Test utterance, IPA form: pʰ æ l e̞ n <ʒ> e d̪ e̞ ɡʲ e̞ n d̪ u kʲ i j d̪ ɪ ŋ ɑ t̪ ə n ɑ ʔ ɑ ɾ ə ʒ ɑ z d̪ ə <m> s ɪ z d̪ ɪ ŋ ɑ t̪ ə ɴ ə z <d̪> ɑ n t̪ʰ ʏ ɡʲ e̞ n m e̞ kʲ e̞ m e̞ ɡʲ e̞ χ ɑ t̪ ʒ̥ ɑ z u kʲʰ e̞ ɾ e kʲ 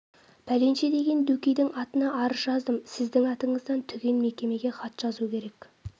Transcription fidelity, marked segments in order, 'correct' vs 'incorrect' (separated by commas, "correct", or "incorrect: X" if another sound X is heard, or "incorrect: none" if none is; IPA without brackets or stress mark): incorrect: ʃ, correct, correct